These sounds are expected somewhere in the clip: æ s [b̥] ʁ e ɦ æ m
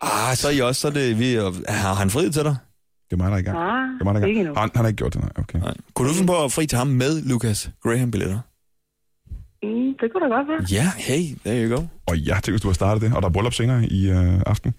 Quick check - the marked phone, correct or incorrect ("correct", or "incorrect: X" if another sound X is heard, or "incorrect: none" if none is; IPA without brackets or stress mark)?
incorrect: ɡ̥